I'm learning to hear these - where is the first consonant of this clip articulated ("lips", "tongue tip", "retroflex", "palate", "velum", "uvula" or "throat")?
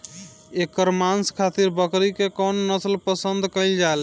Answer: velum